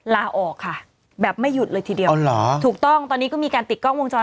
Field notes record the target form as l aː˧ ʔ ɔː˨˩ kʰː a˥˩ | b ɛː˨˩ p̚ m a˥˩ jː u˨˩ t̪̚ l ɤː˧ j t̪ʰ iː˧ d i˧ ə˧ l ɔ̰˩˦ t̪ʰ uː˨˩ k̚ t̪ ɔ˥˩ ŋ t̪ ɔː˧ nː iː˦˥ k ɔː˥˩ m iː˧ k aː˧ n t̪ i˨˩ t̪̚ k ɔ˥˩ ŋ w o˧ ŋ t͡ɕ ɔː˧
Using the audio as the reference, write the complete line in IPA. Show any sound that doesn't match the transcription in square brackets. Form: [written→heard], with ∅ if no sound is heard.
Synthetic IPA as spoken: l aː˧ ʔ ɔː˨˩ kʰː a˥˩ | b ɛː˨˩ p̚ m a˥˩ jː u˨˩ t̪̚ l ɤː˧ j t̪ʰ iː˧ d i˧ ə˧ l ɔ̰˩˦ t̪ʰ uː˨˩ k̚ t̪ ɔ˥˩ ŋ t̪ ɔː˧ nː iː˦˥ k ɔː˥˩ m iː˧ k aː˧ n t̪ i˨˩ t̪̚ k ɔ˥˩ ŋ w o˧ ŋ t͡ɕ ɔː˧